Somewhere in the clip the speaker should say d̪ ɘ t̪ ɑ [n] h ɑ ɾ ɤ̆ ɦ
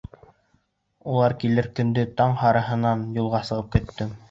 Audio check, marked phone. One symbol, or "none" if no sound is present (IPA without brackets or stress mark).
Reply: ɴ